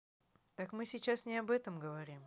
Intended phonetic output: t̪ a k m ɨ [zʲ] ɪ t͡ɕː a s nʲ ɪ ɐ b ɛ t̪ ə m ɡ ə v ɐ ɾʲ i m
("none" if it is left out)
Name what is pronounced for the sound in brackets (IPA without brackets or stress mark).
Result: sʲ